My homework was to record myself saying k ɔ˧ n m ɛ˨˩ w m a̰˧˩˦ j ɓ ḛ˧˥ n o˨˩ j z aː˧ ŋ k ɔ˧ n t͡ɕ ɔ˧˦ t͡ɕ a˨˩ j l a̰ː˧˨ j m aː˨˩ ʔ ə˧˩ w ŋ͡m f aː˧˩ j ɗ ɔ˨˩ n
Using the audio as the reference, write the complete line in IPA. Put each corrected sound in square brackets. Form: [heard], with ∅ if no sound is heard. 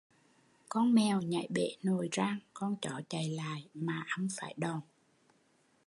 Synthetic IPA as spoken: k ɔ˧ n m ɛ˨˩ w [ɲ] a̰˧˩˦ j ɓ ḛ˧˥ n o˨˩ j z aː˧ ŋ k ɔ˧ n t͡ɕ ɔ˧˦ t͡ɕ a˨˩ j l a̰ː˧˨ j m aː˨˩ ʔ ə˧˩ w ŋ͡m f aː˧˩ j ɗ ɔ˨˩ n